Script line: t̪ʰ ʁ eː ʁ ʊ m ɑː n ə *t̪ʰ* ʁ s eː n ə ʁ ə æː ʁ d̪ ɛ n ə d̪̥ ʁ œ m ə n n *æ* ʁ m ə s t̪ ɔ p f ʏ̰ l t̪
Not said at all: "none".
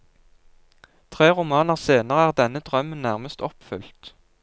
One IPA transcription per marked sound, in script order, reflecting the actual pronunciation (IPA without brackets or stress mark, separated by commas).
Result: none, æ